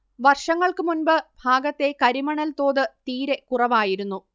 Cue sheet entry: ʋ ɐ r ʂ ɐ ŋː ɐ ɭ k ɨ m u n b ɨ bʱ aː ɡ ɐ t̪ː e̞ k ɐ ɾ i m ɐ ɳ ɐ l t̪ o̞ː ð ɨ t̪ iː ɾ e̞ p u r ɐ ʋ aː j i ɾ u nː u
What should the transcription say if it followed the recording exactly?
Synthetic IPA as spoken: ʋ ɐ r ʂ ɐ ŋː ɐ ɭ k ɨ m u n b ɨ bʱ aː ɡ ɐ t̪ː e̞ k ɐ ɾ i m ɐ ɳ ɐ l t̪ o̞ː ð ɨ t̪ iː ɾ e̞ k u r ɐ ʋ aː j i ɾ u nː u